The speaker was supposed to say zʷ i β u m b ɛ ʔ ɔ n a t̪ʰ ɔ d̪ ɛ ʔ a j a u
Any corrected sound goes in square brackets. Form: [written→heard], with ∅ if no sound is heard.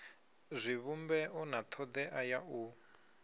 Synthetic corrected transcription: zʷ i β u m b ɛ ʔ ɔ n a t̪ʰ ɔ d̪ ɛ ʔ a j a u